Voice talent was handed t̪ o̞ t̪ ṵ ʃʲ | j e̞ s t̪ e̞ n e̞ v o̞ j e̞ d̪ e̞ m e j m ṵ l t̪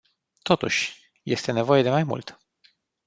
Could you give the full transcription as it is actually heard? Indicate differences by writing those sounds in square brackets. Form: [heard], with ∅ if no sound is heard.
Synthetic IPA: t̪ o̞ t̪ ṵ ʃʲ | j e̞ s t̪ e̞ n e̞ v o̞ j e̞ d̪ e̞ m [a] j m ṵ l t̪